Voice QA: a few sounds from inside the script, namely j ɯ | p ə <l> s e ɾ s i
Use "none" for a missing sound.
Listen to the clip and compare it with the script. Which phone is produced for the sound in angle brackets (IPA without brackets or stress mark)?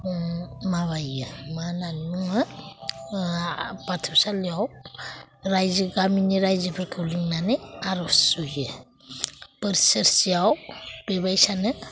ɾ